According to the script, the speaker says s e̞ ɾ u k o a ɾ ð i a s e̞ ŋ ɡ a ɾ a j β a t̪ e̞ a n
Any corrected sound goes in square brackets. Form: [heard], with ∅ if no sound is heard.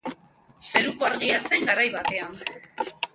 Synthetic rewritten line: s e̞ ɾ u k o a ɾ [ɣ] i a s e̞ ŋ ɡ a ɾ a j β a t̪ e̞ a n